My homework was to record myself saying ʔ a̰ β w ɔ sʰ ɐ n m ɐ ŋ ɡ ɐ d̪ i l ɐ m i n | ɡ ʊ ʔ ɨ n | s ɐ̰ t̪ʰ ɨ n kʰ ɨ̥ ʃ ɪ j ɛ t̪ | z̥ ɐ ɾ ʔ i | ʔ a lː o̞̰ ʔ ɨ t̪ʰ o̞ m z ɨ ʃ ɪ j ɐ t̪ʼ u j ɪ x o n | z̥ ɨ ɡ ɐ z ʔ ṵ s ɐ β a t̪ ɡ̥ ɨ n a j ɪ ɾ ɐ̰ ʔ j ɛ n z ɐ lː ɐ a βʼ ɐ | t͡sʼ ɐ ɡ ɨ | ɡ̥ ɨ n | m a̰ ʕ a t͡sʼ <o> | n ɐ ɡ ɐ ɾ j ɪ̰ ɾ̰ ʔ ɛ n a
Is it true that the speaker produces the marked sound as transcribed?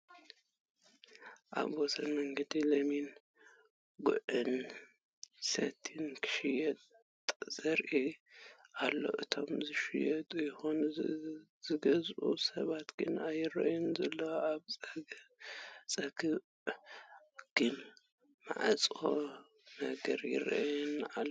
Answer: yes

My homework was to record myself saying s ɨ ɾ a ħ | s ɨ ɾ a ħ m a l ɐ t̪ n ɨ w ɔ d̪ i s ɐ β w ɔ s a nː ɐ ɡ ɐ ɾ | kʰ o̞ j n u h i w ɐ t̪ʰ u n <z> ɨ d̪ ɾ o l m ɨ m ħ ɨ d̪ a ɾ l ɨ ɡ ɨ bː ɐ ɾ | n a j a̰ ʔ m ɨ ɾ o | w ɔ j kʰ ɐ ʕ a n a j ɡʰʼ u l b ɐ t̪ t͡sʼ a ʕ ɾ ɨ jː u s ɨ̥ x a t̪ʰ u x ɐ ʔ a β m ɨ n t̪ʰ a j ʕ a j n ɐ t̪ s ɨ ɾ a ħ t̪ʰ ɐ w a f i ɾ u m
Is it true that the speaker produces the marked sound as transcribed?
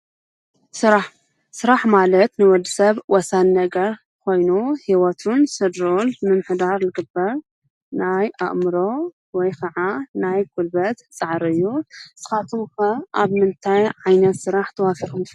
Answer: no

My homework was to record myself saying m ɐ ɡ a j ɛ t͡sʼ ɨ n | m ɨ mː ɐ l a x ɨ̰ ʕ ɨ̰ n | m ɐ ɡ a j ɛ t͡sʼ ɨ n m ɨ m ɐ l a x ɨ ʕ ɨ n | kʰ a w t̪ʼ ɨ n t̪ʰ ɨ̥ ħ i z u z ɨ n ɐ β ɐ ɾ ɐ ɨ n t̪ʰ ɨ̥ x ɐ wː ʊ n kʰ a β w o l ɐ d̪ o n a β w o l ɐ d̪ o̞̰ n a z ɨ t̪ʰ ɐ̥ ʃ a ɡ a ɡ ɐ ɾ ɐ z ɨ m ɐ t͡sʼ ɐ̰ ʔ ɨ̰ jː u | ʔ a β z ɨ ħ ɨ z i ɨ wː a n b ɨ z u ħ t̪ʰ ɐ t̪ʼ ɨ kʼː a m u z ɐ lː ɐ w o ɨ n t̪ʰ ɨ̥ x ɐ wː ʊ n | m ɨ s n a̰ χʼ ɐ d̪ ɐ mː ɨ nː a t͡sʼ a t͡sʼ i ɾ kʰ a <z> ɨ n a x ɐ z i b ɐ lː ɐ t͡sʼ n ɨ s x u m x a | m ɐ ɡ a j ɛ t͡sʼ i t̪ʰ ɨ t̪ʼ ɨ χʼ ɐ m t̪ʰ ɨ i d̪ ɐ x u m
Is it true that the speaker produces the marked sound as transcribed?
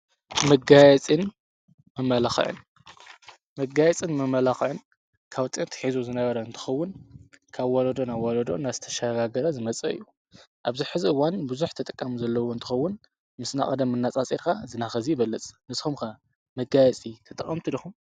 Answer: yes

